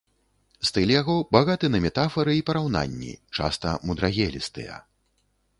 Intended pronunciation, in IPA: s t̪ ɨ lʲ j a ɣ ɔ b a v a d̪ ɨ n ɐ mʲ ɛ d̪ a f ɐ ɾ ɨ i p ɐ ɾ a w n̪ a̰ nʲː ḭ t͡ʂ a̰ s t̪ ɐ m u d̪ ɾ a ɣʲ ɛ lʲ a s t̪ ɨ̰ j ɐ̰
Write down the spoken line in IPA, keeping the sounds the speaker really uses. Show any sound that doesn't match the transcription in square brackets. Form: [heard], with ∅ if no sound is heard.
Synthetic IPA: s t̪ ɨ lʲ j a ɣ ɔ b a [ɣ] a [t̪] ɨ n ɐ mʲ ɛ [t̪] a f ɐ ɾ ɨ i p ɐ ɾ a w n̪ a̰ nʲː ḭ t͡ʂ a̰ s t̪ ɐ m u d̪ ɾ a ɣʲ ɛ lʲ [i] s t̪ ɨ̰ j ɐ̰